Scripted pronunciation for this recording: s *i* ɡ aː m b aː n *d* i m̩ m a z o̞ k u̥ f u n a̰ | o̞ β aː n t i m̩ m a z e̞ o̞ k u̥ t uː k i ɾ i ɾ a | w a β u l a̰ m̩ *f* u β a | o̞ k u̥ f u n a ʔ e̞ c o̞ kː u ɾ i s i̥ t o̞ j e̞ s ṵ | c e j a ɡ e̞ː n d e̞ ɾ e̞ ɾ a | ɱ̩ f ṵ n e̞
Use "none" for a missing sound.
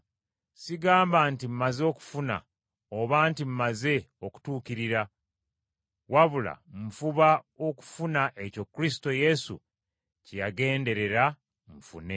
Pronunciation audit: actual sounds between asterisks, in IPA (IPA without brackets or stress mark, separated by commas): i, t, f